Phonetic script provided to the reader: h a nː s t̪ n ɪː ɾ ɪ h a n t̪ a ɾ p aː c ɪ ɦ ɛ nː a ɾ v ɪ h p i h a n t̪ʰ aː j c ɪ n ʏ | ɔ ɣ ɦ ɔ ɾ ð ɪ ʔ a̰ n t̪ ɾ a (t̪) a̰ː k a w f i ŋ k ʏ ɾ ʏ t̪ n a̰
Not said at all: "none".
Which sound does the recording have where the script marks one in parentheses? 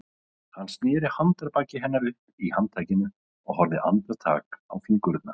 t̪ʰ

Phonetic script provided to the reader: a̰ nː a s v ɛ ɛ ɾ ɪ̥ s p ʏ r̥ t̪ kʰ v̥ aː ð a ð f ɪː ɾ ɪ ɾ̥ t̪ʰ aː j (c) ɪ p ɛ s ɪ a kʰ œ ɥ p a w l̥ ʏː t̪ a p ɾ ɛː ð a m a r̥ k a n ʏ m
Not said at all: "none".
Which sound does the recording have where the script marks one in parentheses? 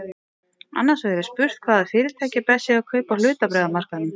c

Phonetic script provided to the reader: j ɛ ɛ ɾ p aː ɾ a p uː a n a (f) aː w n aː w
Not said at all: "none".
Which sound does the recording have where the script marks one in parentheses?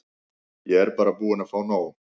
f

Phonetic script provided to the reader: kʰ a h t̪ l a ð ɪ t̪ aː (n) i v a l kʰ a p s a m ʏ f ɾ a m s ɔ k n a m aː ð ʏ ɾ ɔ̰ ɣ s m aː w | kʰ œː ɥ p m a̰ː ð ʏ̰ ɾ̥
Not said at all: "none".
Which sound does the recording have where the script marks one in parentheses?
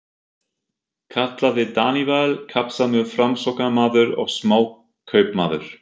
n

